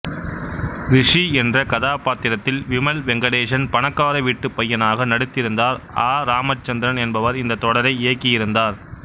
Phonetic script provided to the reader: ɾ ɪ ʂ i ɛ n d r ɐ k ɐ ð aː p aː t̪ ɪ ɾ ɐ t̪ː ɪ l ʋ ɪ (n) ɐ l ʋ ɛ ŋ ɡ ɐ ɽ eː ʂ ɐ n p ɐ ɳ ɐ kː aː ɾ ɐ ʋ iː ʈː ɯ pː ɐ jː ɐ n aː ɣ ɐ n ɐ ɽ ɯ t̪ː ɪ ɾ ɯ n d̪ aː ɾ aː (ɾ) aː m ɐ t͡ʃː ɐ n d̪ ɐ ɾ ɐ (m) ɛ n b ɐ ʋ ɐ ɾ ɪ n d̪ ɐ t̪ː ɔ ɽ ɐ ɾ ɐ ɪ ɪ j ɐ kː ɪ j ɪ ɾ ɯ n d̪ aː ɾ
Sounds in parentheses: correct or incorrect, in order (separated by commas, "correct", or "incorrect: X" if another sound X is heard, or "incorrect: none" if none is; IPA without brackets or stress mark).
incorrect: m, correct, incorrect: n